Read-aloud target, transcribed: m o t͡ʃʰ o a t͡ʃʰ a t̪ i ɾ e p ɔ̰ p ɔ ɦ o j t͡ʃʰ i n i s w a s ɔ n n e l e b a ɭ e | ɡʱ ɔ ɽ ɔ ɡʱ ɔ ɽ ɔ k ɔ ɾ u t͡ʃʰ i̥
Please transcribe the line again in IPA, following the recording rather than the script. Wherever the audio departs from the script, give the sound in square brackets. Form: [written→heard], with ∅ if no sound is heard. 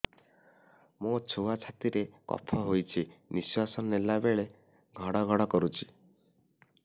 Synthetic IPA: m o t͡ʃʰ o a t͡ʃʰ a t̪ i ɾ e [p→k] ɔ̰ [p→pʰ] ɔ ɦ o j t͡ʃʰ i n i s w a s ɔ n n e l [e→a] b [a→e] ɭ e | ɡʱ ɔ ɽ ɔ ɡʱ ɔ ɽ ɔ k ɔ ɾ u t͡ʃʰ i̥